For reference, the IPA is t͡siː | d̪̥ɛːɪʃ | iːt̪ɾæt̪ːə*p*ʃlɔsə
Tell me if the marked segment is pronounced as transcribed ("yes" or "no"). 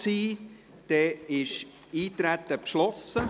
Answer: yes